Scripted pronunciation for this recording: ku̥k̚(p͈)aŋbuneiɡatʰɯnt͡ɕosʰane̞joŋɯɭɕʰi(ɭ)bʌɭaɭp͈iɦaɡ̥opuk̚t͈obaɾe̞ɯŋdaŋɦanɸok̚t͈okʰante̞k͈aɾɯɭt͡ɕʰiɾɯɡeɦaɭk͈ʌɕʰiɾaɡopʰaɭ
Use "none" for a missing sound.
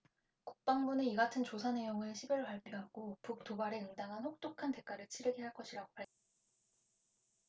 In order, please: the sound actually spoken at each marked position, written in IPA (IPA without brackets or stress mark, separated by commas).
p͈, none